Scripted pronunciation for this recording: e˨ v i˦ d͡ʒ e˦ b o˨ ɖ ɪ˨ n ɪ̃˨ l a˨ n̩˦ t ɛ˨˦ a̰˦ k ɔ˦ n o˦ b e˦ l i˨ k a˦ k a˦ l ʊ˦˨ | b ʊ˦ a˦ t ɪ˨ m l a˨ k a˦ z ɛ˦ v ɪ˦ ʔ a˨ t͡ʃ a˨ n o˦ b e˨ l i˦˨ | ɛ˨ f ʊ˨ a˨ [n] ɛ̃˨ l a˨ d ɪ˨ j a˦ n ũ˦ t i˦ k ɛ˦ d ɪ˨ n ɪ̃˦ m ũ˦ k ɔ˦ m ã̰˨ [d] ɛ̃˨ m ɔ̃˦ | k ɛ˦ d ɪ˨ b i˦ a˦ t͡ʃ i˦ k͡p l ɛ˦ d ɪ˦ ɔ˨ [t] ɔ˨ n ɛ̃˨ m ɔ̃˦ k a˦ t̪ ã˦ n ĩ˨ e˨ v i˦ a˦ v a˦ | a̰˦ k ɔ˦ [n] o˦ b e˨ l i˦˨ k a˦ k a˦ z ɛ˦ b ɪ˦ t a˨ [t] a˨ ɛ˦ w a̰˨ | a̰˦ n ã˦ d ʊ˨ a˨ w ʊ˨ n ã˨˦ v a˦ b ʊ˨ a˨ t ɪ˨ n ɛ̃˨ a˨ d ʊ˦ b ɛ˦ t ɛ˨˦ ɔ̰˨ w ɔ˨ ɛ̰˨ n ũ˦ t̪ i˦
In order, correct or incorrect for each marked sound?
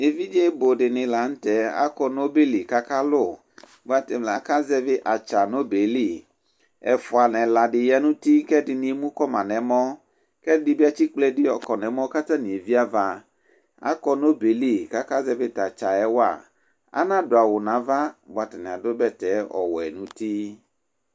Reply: correct, incorrect: n, incorrect: k, correct, incorrect: t͡ʃ

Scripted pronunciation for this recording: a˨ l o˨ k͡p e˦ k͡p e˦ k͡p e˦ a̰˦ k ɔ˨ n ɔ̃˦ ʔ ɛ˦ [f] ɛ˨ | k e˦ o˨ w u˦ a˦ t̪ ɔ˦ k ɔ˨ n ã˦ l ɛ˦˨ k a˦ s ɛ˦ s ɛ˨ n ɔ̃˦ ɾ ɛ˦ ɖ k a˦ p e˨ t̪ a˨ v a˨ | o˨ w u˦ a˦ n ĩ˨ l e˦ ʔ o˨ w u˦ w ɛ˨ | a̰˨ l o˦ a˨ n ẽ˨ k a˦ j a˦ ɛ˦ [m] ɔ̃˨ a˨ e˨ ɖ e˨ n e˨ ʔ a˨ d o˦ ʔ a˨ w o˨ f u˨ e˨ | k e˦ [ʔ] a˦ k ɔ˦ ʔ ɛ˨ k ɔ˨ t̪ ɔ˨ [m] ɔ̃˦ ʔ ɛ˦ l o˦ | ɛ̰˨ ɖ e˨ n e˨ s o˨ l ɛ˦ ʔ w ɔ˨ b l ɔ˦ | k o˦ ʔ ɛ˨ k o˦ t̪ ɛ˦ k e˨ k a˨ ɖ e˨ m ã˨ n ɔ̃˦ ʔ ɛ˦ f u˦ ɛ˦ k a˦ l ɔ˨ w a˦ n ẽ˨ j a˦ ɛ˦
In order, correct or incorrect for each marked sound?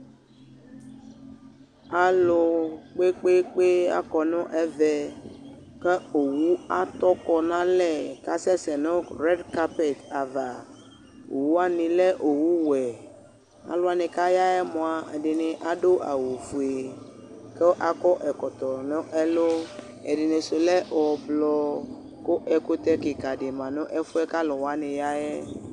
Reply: incorrect: v, correct, correct, incorrect: n

